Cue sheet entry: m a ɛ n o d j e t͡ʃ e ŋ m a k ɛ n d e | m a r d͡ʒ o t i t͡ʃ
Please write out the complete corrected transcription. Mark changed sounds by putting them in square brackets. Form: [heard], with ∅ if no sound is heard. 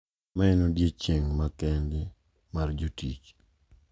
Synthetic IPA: m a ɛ n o d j e t͡ʃ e ŋ m a k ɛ n d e | m a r d͡ʒ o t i t͡ʃ